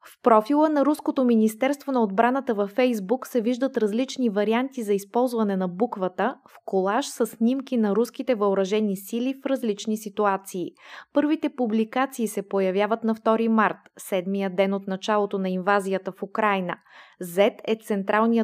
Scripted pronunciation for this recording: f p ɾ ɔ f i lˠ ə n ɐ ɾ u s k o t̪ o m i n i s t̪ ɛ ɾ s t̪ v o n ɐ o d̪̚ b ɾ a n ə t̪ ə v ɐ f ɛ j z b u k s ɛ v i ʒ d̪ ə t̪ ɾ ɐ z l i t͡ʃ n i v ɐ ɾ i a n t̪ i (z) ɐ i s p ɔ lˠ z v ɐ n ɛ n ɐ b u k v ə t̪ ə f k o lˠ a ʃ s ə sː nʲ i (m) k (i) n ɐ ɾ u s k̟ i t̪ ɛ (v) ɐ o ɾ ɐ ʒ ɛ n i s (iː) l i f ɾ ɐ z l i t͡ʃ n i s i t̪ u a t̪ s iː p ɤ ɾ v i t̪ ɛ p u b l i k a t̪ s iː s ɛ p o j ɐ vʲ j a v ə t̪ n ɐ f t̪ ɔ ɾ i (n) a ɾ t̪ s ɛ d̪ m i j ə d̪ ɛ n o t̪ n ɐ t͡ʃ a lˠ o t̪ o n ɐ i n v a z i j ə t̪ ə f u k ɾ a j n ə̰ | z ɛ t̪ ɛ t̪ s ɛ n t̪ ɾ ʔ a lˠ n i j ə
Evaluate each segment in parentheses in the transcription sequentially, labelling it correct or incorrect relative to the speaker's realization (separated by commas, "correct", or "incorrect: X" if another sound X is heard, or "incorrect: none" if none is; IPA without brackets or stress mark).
correct, correct, correct, correct, incorrect: i, incorrect: m